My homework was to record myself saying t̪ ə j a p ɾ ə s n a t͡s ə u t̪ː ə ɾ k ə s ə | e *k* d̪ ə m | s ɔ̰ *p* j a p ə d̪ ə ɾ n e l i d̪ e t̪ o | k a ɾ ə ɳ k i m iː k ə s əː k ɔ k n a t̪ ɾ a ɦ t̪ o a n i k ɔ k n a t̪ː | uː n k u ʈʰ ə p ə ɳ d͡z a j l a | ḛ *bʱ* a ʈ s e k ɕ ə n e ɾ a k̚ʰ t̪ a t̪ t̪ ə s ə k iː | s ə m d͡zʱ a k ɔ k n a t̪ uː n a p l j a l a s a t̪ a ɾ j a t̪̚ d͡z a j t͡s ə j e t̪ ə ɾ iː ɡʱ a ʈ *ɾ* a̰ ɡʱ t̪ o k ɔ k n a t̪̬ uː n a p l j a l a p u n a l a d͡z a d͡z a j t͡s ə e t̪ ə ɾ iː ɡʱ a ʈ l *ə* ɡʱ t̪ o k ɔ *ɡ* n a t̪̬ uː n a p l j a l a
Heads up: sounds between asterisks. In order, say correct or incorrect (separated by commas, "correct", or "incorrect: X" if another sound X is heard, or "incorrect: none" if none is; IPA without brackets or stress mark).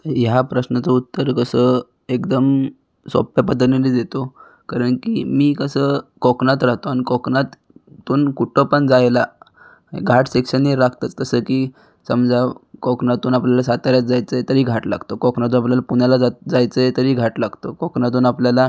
correct, correct, incorrect: ɡʱ, incorrect: l, incorrect: a, incorrect: k